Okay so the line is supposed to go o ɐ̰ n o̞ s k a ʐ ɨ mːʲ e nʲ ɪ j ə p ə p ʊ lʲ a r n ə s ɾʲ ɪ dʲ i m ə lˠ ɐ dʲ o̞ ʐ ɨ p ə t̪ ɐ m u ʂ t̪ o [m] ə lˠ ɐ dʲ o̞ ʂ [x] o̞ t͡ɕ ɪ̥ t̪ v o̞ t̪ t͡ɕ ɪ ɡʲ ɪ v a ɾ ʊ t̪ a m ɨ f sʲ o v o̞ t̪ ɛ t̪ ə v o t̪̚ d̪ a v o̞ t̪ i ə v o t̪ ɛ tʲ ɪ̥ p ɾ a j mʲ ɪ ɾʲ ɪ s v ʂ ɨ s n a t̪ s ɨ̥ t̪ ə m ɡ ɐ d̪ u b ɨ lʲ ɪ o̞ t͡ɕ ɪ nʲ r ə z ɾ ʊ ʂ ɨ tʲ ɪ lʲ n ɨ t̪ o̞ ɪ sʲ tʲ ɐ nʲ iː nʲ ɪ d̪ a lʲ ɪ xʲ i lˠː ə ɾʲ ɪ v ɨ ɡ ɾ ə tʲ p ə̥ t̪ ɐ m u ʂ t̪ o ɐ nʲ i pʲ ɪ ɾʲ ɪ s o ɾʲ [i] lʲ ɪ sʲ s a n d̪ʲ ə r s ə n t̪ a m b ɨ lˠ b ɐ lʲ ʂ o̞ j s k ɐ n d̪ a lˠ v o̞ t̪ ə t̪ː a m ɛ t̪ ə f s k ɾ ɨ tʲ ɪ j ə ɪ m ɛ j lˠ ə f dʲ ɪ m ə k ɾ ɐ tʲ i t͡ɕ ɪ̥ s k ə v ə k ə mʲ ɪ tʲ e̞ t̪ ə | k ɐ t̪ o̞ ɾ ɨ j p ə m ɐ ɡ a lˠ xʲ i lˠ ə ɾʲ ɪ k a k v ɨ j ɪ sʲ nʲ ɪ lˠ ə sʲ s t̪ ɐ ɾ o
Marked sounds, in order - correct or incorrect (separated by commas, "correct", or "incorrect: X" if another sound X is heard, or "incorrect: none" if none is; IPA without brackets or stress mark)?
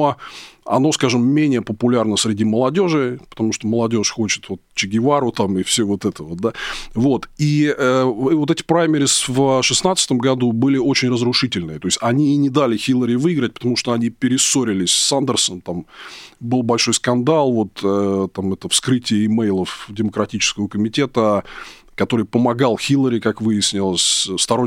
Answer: correct, correct, incorrect: ɪ